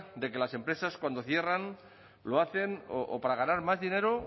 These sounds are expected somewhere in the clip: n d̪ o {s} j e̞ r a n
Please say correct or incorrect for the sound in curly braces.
incorrect